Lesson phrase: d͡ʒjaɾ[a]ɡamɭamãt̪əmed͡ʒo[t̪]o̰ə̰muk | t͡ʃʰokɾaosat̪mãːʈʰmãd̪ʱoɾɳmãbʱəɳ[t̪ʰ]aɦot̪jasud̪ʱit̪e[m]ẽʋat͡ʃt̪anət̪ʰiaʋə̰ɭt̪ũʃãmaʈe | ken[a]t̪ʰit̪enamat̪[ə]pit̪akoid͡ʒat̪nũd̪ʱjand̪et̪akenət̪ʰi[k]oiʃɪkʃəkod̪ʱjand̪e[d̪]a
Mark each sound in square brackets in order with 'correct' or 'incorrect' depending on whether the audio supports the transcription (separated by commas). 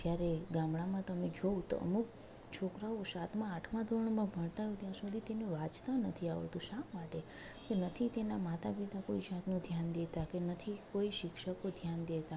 incorrect, correct, incorrect, incorrect, incorrect, incorrect, correct, incorrect